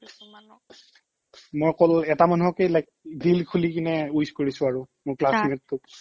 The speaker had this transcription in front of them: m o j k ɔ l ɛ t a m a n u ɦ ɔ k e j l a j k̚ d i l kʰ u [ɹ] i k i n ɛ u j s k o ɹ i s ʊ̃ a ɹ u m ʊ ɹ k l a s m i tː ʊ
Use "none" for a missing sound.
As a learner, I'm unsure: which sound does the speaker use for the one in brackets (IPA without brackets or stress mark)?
l